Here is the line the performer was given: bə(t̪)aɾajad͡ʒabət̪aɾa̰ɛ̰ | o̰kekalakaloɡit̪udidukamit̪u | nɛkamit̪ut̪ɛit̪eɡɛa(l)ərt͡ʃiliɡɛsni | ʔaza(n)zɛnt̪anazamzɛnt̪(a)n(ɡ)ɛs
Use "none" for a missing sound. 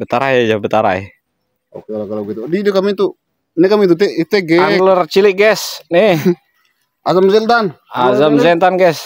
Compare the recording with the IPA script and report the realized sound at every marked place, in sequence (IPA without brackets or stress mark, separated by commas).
t̪, l, m, a, ɡ